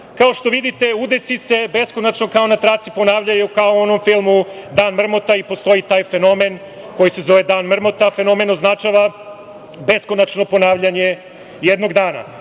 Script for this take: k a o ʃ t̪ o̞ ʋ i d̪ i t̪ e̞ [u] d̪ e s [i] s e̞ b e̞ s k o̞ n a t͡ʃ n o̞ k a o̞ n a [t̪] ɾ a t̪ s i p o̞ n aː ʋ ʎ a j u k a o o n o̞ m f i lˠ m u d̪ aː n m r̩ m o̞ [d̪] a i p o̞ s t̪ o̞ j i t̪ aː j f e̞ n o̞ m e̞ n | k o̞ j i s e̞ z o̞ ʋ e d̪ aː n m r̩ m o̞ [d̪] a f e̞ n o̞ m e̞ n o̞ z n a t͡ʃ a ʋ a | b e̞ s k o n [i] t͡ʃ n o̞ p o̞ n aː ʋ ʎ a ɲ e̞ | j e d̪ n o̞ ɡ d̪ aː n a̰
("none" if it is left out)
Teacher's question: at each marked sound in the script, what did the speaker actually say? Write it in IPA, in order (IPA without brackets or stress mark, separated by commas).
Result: u, i, t̪, t̪, t̪, a